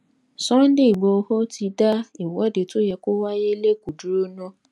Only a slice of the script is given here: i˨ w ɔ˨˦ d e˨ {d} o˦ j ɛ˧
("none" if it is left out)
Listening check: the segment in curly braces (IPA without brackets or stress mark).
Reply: t